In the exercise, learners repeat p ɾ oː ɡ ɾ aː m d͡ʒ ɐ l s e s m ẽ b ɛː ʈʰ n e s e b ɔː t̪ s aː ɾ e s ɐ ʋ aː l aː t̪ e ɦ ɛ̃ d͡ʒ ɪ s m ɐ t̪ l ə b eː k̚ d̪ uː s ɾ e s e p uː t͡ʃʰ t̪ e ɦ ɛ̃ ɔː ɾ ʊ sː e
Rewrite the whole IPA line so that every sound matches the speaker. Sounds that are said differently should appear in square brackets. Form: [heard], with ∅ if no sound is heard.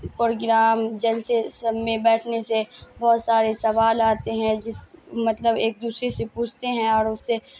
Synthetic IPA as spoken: p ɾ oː ɡ ɾ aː m d͡ʒ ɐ l s e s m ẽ b ɛː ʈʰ n e s e b ɔː t̪ s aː ɾ e s ɐ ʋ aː l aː t̪ e ɦ ɛ̃ d͡ʒ ɪ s m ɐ t̪ l ə b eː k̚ d̪ uː s ɾ e s e p uː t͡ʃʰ t̪ e ɦ ɛ̃ ɔː ɾ ʊ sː e